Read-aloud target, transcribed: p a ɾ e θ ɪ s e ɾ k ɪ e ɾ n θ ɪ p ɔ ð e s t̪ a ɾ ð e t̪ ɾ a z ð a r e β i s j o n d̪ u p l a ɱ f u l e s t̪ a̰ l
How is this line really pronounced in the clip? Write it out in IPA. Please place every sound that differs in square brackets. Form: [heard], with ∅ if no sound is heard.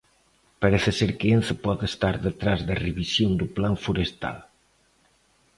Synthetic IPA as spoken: p a ɾ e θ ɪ s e ɾ k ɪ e [∅] n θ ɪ p ɔ ð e s t̪ a ɾ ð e t̪ ɾ a z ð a r e β i s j o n d̪ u p l a ɱ f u [ɾ] e s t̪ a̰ l